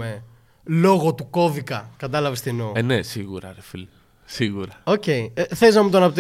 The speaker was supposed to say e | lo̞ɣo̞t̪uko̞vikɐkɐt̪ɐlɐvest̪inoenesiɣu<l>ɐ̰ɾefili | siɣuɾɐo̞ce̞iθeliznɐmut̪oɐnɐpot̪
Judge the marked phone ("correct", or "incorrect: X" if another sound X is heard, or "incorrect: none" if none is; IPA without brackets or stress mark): incorrect: ɾ